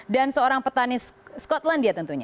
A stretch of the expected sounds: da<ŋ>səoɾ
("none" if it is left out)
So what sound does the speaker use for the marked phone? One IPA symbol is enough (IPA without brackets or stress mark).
n